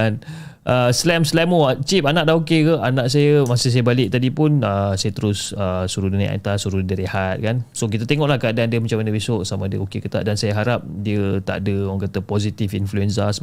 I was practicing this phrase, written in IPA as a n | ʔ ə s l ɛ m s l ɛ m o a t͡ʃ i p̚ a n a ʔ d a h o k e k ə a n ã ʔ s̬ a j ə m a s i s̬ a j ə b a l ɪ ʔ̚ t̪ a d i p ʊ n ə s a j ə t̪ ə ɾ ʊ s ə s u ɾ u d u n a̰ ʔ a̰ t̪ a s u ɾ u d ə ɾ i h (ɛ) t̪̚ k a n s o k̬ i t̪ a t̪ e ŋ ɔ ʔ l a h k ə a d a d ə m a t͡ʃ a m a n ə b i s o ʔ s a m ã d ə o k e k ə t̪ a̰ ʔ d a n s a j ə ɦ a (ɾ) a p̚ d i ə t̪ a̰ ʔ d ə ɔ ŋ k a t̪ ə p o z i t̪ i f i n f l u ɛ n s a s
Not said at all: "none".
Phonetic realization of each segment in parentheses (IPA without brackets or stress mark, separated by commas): a, ɾ